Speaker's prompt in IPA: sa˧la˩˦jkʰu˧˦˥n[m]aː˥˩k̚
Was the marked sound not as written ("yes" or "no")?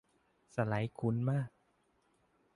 no